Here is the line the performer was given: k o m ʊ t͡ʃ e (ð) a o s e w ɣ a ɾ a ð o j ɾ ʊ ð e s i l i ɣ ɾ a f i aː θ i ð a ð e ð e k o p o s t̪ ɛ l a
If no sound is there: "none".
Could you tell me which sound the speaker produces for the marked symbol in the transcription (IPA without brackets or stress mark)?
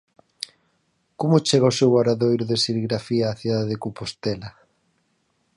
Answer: ɣ